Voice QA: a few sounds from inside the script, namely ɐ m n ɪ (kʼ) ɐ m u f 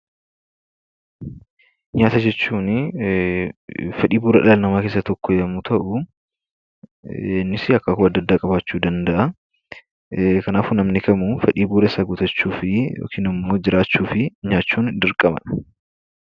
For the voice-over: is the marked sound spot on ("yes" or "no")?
no